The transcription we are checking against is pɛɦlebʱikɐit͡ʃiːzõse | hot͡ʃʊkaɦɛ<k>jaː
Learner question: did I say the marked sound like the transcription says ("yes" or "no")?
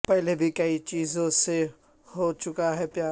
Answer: no